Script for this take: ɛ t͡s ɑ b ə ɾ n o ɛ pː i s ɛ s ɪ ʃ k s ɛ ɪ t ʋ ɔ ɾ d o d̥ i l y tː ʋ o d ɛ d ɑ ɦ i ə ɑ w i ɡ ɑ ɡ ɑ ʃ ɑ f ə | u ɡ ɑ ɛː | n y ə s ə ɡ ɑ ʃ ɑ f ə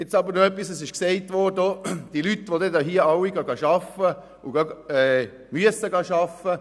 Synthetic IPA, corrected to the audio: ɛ t͡s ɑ b ə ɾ n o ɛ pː i s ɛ s ɪ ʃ k s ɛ ɪ t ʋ ɔ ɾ d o d̥ i l y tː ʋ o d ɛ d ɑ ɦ i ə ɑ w i ɡ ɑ ɡ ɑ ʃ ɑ f ə | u ɡ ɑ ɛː | m y ə s ə ɡ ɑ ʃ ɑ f ə